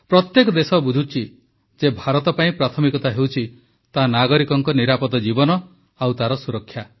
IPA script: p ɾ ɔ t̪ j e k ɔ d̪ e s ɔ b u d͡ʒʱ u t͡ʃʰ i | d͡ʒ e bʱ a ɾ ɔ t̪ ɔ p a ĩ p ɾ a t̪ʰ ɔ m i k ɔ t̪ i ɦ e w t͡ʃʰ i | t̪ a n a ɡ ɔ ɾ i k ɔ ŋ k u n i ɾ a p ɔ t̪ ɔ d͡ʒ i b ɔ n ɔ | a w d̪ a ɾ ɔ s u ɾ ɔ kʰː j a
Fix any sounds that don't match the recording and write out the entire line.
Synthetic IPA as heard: p ɾ ɔ t̪ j e k ɔ d̪ e s ɔ b u d͡ʒʱ u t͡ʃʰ i | d͡ʒ e bʱ a ɾ ɔ t̪ ɔ p a ĩ p ɾ a t̪ʰ ɔ m i k ɔ t̪ a ɦ e w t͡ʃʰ i | t̪ a n a ɡ ɔ ɾ i k ɔ ŋ k ɔ n i ɾ a p ɔ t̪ ɔ d͡ʒ i b ɔ n ɔ | a w t̪ a ɾ ɔ s u ɾ ɔ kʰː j a